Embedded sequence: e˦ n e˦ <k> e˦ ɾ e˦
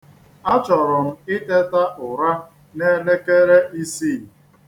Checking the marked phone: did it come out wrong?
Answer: no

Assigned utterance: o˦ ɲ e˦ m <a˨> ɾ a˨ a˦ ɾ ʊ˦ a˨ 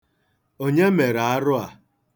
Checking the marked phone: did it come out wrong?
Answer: yes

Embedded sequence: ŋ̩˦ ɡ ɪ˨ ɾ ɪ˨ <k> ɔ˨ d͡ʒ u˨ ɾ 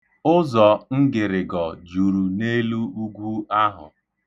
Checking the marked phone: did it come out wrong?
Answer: yes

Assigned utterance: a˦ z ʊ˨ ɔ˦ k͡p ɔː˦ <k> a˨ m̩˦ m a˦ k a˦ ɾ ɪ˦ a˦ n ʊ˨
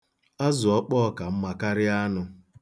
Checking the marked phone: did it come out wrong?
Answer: no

